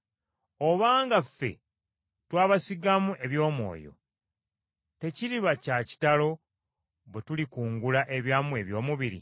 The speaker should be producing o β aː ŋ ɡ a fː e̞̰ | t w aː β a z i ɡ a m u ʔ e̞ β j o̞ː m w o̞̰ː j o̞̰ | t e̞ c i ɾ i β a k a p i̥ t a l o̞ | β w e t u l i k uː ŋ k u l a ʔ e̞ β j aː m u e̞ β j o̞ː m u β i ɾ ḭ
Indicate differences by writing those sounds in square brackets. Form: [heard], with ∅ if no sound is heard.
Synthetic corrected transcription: o β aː ŋ ɡ a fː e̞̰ | t w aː β a [s] i ɡ a m u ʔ e̞ β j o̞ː m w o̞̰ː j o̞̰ | t e̞ c i ɾ i β a [c] a [c] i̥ t a l o̞ | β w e t u l i k uː ŋ [ɡ] u l a ʔ e̞ β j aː m u e̞ β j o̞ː m u β i ɾ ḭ